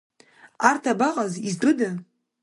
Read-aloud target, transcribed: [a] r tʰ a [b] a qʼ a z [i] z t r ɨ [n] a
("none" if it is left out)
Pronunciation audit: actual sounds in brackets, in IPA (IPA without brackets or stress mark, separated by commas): a, b, i, d